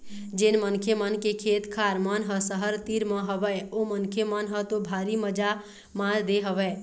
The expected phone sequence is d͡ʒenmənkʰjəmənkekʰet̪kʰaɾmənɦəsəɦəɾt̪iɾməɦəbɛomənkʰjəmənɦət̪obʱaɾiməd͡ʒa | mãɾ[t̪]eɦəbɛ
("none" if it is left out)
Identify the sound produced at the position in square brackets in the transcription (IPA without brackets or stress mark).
d̪